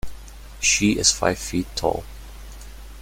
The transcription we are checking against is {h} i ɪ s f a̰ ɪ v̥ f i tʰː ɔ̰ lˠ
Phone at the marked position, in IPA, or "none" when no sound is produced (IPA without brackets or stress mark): ʃ